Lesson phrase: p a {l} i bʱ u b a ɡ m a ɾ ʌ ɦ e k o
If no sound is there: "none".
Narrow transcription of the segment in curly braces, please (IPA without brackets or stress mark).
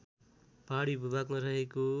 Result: ɽ